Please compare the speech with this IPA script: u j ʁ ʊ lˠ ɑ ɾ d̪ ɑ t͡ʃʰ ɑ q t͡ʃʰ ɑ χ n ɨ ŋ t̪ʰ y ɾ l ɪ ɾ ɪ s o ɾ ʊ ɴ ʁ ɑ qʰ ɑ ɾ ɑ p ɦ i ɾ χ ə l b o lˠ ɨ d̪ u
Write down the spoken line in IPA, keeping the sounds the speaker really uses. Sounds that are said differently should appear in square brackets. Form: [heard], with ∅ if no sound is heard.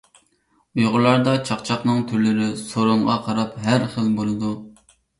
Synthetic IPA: u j ʁ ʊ lˠ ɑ ɾ d̪ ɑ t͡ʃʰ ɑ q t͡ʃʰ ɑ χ n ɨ ŋ t̪ʰ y ɾ l ɪ ɾ ɪ s o ɾ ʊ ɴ ʁ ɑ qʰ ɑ ɾ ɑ p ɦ [æ] ɾ χ ə l b o lˠ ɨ d̪ u